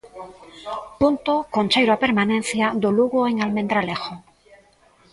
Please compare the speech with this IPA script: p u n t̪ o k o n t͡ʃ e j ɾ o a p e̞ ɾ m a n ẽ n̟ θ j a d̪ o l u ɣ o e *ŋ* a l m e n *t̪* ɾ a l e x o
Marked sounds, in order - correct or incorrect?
correct, incorrect: d̪

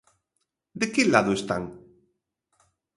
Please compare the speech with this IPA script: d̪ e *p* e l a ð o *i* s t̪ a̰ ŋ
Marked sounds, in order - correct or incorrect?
incorrect: k, incorrect: e

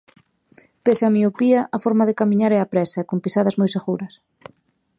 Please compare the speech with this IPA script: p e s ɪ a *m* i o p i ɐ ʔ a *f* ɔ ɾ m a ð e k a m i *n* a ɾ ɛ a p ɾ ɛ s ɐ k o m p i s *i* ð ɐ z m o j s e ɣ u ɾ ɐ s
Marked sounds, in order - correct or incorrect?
correct, correct, incorrect: ɲ, incorrect: a

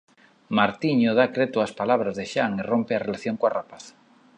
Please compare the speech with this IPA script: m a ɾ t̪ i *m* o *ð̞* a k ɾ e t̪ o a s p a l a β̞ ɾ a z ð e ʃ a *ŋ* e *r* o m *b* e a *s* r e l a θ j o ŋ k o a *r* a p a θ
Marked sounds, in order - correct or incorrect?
incorrect: ɲ, correct, correct, correct, incorrect: p, incorrect: none, correct

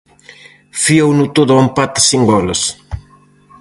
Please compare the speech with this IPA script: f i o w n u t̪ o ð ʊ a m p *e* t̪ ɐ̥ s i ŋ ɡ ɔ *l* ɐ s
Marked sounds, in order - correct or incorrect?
incorrect: a, correct

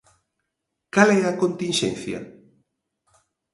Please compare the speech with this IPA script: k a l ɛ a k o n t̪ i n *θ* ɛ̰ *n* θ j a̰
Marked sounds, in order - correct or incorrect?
incorrect: ʃ, correct

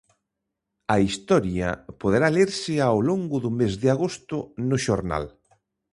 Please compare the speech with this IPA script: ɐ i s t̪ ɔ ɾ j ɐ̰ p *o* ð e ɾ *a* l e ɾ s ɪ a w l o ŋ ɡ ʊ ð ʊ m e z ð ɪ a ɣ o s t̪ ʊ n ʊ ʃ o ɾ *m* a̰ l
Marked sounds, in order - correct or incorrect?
correct, correct, incorrect: n

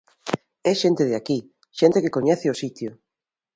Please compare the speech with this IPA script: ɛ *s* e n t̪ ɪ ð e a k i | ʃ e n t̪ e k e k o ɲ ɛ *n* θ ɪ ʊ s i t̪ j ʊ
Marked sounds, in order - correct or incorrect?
incorrect: ʃ, incorrect: none

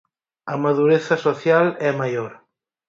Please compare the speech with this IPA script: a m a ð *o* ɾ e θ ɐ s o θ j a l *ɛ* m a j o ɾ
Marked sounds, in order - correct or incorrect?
incorrect: u, correct

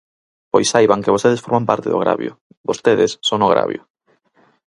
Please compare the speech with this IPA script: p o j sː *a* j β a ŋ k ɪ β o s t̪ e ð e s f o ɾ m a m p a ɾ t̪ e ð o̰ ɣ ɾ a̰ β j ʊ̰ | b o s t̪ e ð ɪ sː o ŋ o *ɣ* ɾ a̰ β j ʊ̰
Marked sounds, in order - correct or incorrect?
correct, correct

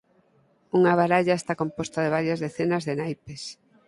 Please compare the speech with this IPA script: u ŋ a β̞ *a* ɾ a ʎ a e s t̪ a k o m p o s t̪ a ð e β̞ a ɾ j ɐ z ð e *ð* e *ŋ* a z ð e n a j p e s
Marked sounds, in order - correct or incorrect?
correct, incorrect: θ, incorrect: n

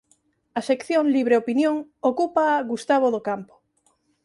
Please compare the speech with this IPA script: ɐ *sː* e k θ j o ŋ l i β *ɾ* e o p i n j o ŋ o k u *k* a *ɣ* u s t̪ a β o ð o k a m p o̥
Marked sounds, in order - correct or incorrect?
incorrect: s, correct, incorrect: p, correct

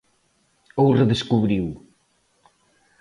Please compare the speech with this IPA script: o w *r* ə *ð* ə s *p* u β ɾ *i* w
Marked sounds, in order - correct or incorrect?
correct, correct, incorrect: k, correct

